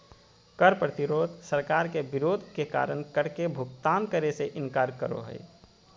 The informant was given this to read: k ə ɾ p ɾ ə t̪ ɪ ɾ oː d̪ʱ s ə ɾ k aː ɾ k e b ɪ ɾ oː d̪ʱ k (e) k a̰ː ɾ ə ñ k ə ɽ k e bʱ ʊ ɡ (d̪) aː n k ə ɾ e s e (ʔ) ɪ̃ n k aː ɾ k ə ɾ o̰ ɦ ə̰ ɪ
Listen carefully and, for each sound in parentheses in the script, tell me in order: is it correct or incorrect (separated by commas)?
correct, incorrect, correct